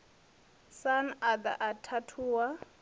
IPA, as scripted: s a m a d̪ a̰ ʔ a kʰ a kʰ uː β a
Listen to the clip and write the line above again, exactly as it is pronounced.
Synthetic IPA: s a n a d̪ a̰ ʔ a tʰ a tʰ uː w a

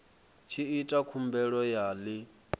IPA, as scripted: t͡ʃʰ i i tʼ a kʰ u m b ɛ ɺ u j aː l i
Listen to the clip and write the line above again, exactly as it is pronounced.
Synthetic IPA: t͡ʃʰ i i tʼ a kʰ u m b ɛ ɺ ɔ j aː l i

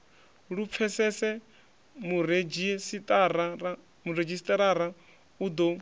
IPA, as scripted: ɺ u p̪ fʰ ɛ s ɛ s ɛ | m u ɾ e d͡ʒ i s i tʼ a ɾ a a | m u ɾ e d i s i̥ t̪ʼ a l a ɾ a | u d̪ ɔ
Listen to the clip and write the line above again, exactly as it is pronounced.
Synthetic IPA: ɺ u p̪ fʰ ɛ s ɛ s ɛ | m u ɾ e d͡ʒ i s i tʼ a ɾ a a | m u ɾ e d͡ʒ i s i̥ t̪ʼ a ɾ a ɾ a | u d̪ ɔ

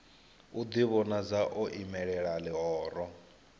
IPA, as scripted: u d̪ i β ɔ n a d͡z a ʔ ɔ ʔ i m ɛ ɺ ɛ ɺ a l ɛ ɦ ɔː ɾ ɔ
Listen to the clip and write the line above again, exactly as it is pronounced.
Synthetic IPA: u d̪ i β ɔ n a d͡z a ʔ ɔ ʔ i m ɛ ɺ ɛ ɺ a l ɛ ɦ ɔː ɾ ɔ

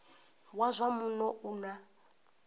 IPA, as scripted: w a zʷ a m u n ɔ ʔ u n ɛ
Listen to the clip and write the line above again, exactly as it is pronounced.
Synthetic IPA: w a zʷ a m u n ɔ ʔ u n a

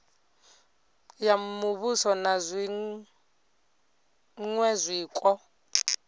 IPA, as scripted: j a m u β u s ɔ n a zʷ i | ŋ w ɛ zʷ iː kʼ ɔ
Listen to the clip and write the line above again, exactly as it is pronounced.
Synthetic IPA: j a m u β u s ɔ n a zʷ i | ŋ w ɛ zʷ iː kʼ ɔ

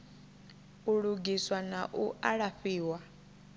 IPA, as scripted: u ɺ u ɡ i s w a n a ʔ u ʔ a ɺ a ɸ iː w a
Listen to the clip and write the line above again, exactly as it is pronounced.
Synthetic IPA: u ɺ u ɡ i s w a n a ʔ u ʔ a ɺ a ɸ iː w a

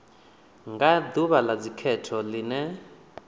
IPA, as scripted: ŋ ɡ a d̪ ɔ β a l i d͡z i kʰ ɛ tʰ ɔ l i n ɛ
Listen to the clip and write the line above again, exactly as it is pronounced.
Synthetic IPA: ŋ ɡ a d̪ u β a l a d͡z i kʰ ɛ tʰ ɔ l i n ɛ

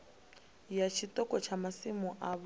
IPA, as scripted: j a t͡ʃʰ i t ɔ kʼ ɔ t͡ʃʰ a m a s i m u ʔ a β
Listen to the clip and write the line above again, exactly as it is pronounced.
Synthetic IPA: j a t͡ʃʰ i t ɔ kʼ ɔ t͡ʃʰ a m a s i m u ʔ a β

